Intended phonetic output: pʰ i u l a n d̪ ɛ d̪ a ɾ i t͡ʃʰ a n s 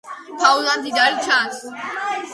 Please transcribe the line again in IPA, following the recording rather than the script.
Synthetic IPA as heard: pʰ a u l a n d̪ i d̪ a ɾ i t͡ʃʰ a n s